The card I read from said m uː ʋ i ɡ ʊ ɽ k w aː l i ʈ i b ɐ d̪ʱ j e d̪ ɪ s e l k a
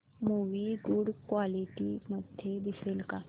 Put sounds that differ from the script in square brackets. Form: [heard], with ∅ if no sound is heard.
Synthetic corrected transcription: m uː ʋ i ɡ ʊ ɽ k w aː l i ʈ i [m] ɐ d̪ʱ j e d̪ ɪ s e l k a